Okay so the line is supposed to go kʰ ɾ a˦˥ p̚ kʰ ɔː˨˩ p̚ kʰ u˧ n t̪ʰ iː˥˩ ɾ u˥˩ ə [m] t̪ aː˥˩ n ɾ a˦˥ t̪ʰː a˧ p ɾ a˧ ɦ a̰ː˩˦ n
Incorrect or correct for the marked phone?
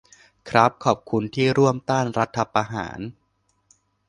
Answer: correct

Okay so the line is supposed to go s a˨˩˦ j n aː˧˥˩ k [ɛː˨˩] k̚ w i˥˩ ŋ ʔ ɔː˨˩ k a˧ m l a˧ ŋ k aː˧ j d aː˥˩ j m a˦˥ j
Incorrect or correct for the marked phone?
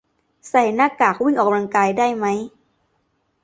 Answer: incorrect: aː˨˩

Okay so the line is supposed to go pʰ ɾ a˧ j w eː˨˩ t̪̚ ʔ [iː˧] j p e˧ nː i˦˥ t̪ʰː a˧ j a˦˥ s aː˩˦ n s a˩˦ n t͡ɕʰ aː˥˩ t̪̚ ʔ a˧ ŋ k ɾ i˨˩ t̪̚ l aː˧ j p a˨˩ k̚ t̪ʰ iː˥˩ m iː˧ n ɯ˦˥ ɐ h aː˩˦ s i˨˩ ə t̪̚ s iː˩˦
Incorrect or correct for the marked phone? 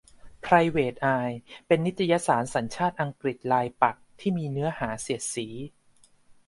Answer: incorrect: aː˧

